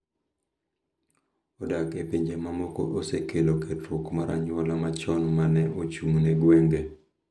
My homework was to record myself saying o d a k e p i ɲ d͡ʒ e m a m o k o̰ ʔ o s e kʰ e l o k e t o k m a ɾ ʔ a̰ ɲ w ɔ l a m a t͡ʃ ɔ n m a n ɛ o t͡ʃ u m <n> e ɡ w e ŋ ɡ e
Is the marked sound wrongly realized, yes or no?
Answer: no